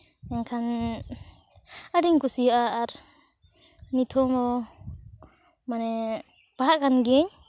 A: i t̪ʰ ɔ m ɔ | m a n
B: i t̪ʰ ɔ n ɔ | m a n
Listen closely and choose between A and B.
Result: A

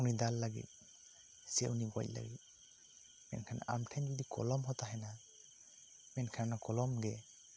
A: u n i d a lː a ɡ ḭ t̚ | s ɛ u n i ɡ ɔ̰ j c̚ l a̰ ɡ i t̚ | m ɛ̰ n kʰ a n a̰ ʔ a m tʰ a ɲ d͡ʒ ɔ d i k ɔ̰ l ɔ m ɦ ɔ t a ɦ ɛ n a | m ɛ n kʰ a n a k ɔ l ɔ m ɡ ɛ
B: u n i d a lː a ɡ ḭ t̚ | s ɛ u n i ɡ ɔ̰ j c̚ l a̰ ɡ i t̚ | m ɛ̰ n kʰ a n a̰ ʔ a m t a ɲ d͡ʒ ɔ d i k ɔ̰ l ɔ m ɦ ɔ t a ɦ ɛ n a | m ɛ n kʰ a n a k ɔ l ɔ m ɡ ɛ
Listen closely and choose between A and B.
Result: A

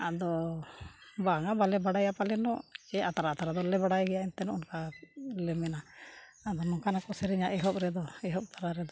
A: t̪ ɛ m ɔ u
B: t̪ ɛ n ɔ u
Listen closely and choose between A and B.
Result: B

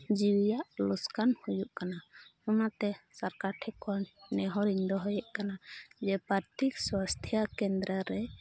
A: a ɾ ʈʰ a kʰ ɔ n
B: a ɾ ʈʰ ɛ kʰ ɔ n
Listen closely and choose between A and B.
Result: B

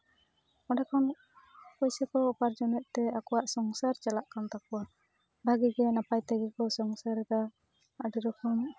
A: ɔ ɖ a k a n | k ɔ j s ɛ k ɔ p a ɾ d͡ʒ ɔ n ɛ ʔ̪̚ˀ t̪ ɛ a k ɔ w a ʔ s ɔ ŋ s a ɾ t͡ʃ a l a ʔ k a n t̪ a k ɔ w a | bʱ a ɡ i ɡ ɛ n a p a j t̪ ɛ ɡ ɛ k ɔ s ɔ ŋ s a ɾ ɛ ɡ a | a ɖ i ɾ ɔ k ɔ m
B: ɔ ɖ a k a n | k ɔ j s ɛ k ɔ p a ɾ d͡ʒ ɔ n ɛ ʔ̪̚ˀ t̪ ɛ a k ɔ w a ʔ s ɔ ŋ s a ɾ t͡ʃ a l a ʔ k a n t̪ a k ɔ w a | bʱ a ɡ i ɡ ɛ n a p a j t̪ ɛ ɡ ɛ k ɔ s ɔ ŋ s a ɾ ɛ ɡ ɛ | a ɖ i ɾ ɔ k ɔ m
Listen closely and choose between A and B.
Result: A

